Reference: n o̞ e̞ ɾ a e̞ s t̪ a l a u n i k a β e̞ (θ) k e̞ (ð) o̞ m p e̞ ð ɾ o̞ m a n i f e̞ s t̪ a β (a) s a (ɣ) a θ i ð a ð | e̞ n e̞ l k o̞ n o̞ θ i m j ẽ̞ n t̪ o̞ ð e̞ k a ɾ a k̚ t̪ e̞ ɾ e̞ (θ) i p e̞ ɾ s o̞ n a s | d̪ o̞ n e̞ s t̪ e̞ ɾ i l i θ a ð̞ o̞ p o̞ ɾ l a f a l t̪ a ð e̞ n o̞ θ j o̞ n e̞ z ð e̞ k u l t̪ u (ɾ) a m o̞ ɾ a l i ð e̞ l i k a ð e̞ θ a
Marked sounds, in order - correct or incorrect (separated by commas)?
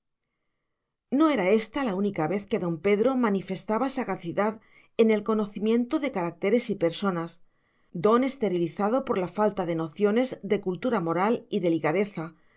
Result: correct, correct, correct, correct, incorrect, correct